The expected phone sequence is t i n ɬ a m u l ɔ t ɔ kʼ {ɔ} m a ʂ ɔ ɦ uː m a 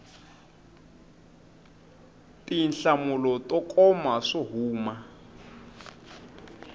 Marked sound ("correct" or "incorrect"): correct